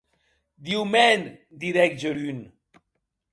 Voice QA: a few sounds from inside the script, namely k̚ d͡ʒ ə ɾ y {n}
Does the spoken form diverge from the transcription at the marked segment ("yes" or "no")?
no